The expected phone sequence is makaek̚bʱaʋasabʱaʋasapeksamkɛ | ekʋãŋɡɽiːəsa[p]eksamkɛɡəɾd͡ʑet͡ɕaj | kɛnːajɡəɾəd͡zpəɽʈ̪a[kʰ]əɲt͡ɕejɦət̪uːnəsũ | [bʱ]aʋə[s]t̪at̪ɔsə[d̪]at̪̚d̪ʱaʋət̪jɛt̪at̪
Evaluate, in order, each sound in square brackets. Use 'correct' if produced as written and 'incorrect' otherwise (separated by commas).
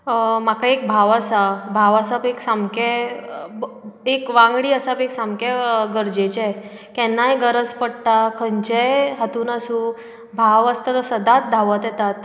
correct, correct, correct, correct, correct